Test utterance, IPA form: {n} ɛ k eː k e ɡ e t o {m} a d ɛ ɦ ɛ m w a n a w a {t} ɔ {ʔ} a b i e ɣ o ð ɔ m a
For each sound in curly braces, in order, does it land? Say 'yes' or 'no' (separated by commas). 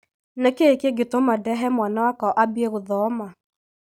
yes, yes, no, yes